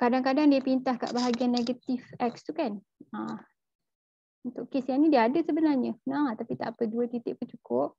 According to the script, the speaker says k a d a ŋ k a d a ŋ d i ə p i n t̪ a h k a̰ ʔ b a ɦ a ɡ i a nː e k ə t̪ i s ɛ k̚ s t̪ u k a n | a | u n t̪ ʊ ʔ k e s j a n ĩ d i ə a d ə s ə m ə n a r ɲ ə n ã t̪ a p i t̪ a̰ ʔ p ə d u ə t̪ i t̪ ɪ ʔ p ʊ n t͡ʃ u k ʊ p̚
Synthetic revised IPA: k a d a ŋ k a d a ŋ d i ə p i n t̪ a h k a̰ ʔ b a ɦ a ɡ i a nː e ɡ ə t̪ i f ɛ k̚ s t̪ u k a n | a | u n t̪ ʊ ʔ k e s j a n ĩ d i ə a d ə s ə b ə n a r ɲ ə n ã t̪ a p i t̪ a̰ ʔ p ə d u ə t̪ i t̪ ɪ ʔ p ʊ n t͡ʃ u k ʊ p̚